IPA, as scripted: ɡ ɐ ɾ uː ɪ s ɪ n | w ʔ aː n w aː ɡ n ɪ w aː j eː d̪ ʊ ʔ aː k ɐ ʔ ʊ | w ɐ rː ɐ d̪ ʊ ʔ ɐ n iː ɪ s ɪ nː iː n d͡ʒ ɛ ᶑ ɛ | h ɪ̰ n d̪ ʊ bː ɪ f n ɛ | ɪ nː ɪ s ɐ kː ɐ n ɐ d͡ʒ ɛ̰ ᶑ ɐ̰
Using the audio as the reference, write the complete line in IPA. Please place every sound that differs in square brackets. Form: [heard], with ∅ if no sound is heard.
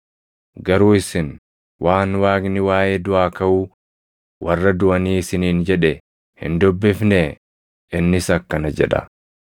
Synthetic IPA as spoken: ɡ ɐ ɾ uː ɪ s ɪ n | w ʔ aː n w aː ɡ n ɪ w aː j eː d̪ ʊ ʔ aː k ɐ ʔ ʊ | w ɐ rː ɐ d̪ ʊ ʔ ɐ n iː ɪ s ɪ [n] iː n d͡ʒ ɛ ᶑ ɛ | h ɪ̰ n d̪ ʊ bː ɪ f n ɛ | ɪ nː ɪ s ɐ kː ɐ n ɐ d͡ʒ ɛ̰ ᶑ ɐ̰